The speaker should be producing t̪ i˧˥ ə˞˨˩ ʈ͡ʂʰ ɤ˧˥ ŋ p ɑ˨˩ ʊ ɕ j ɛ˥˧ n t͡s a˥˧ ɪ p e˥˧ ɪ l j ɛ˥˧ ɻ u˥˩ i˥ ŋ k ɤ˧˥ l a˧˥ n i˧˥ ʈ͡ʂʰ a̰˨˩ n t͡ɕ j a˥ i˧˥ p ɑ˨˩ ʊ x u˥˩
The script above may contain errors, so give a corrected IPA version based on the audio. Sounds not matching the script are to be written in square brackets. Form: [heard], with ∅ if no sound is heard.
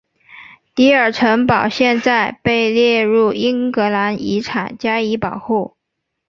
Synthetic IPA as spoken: t̪ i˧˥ ə˞˨˩ ʈ͡ʂʰ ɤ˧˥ ŋ p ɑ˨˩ ʊ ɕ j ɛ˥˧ n t͡s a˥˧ ɪ p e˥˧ ɪ l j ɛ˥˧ ɻ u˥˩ i˥ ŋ k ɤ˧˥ l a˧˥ n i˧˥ ʈ͡ʂʰ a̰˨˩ n t͡ɕ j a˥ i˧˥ p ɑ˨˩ ʊ x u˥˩